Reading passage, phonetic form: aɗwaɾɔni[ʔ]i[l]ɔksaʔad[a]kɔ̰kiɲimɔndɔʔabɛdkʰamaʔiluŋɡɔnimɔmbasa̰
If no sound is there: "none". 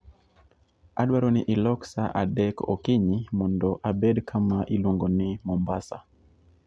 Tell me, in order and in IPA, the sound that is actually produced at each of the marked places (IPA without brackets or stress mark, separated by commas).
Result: ʔ, l, ɛ